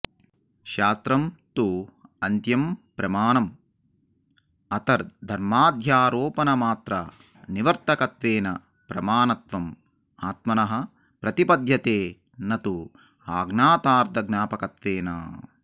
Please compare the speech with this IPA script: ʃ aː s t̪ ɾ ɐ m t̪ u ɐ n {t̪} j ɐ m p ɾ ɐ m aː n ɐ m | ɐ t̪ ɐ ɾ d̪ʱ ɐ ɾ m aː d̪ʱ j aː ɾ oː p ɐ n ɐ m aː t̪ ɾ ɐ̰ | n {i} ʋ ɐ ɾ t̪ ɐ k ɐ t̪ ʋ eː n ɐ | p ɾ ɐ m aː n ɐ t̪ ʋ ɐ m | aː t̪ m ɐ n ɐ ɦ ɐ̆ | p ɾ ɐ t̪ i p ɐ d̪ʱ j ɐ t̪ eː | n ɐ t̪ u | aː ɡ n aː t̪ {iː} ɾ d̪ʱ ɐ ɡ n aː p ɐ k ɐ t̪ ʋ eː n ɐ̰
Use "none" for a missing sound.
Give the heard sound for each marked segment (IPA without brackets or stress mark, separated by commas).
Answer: t̪, i, aː